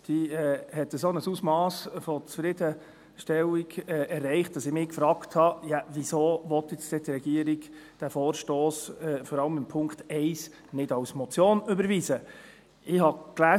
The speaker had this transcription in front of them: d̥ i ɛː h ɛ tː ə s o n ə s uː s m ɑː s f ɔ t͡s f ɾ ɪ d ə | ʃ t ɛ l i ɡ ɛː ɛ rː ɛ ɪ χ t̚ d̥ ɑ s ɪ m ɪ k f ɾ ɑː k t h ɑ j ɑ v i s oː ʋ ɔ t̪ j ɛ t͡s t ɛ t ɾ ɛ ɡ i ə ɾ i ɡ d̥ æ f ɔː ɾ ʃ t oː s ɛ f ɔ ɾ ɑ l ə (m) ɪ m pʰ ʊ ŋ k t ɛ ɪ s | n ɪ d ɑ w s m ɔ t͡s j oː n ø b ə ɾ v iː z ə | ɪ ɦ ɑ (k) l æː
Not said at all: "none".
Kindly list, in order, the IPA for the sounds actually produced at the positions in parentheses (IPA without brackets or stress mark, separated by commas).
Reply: m, k